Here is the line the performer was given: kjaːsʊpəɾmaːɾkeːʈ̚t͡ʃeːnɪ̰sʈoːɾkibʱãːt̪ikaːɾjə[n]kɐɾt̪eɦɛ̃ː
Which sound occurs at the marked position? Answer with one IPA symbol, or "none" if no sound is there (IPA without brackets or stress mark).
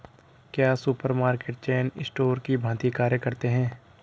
none